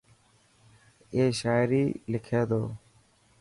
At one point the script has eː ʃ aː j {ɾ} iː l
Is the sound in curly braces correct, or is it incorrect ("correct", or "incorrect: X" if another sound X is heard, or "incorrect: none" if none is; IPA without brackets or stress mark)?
correct